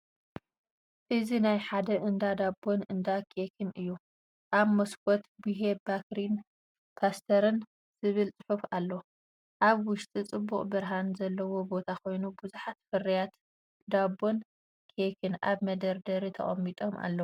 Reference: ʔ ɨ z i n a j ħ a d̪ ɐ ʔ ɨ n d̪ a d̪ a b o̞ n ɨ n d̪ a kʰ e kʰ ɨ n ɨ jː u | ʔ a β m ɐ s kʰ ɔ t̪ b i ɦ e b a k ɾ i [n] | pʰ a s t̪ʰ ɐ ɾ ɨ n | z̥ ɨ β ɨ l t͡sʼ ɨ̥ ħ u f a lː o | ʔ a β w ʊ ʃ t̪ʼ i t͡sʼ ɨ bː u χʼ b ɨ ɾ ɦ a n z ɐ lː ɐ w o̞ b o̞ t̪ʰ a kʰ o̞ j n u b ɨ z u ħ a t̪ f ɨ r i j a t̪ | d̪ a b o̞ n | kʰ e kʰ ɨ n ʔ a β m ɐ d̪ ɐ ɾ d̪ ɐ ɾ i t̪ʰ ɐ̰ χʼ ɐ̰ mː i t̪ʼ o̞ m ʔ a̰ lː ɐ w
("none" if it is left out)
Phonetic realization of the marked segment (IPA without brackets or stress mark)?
n